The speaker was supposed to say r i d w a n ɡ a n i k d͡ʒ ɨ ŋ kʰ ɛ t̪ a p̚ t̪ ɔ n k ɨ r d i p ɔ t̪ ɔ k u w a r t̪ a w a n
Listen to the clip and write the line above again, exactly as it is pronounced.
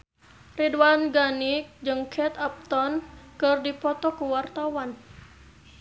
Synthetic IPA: r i d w a n ɡ a n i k d͡ʒ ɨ ŋ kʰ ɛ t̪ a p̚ t̪ ɔ n k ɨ r d i p ɔ t̪ ɔ k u w a r t̪ a w a n